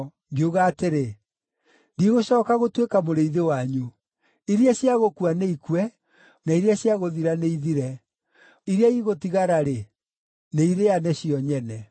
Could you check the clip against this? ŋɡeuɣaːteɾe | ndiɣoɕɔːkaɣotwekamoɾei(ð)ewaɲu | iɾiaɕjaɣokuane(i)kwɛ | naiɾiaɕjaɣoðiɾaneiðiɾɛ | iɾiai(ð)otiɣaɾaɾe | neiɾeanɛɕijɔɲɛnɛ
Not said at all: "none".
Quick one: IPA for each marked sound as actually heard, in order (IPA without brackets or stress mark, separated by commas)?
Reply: ð, i, ɣ